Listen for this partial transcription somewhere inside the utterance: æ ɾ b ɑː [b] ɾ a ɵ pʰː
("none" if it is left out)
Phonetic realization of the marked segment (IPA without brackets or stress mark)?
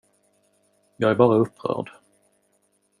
none